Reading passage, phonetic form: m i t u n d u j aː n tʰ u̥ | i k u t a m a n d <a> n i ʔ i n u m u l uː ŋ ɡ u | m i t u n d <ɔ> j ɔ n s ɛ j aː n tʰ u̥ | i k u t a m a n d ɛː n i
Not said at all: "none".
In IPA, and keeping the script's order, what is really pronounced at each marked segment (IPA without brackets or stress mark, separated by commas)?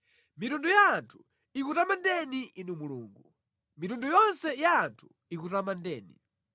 ɛ, u